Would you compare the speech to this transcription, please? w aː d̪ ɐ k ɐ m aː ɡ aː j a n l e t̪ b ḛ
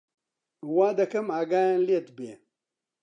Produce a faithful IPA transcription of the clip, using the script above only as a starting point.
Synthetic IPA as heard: w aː d̪ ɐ k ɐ m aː ɡ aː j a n l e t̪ b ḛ